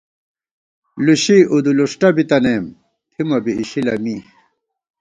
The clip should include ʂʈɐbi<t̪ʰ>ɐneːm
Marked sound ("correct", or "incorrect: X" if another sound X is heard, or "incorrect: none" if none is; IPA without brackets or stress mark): incorrect: t̪